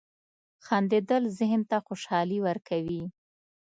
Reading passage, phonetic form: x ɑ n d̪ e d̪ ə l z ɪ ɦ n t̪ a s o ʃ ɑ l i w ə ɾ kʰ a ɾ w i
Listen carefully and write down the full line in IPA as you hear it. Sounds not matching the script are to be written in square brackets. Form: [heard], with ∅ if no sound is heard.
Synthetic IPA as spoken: x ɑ n d̪ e d̪ ə l z ɪ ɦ n t̪ a [x] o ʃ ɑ l i w ə ɾ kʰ a [∅] w i